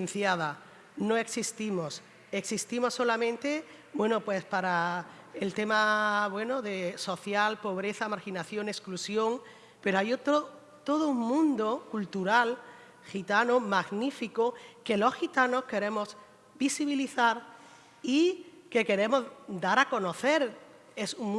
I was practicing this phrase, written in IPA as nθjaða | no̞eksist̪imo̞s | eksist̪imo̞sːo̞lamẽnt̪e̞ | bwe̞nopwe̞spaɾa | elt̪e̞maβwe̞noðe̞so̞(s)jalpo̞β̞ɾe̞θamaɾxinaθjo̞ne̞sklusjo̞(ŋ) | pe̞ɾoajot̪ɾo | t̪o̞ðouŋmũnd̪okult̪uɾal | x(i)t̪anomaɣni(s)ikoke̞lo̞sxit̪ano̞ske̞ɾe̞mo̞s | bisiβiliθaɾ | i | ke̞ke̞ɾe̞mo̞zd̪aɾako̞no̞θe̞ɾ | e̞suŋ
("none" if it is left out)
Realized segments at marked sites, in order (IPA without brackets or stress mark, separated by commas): θ, ŋ, i, f